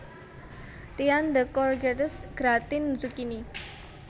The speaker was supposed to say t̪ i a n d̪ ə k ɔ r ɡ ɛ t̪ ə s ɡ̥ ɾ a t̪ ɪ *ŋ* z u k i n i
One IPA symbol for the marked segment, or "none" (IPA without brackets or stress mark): n